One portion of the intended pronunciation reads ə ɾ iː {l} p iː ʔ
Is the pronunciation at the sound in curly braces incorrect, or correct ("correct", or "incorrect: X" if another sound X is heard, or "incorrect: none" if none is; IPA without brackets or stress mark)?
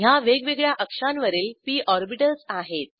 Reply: correct